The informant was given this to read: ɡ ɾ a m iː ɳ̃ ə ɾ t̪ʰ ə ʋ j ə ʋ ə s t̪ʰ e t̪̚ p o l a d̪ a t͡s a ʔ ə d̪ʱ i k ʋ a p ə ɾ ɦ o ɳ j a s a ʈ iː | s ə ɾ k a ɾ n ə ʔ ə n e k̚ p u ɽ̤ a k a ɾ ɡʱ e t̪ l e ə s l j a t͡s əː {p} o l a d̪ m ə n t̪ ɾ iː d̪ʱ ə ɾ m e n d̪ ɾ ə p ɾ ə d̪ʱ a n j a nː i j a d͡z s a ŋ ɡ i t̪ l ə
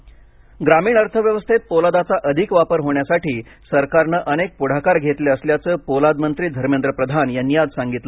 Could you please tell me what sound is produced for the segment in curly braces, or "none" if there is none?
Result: p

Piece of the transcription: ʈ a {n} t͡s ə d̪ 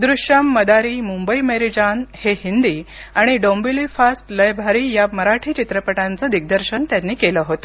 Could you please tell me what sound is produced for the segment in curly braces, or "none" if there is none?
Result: n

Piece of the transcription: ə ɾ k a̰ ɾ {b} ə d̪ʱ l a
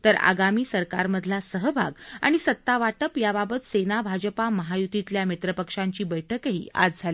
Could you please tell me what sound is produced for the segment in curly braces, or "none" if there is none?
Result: m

